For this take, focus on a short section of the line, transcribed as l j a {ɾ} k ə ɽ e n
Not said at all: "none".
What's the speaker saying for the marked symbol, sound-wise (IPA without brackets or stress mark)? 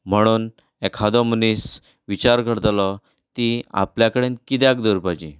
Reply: none